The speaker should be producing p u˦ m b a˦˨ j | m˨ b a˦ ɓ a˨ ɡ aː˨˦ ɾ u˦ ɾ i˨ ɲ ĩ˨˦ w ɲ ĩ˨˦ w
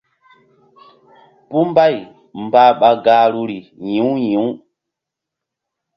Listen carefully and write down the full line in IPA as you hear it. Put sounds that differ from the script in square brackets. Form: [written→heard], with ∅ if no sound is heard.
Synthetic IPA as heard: p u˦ m b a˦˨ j | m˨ b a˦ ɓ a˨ ɡ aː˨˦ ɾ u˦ ɾ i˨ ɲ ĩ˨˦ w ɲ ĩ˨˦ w